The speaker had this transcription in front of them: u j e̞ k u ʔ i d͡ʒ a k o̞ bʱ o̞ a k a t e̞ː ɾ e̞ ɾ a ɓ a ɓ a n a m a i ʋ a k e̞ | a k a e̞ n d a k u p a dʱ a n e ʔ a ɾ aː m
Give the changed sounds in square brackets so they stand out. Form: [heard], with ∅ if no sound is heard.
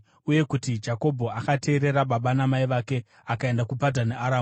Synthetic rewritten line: u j e̞ k u [t] i d͡ʒ a k o̞ bʱ o̞ a k a t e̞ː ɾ e̞ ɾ a ɓ a ɓ a n a m a i ʋ a k e̞ | a k a e̞ n d a k u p a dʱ a n e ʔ a ɾ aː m